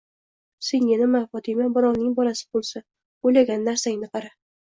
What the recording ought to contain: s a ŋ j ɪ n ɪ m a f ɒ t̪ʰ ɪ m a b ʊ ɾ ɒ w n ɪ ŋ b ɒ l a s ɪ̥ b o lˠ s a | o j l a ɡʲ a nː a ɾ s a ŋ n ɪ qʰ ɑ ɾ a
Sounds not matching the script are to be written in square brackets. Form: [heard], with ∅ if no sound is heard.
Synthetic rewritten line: s [e] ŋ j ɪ n ɪ m a f ɒ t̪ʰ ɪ m a b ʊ ɾ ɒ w n ɪ ŋ b ɒ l a s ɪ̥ b o lˠ s a | o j l a ɡʲ a nː a ɾ s a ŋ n ɪ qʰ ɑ ɾ a